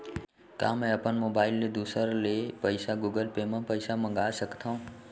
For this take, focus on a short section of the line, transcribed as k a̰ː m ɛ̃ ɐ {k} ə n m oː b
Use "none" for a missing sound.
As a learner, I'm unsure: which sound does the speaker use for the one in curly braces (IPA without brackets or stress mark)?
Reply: p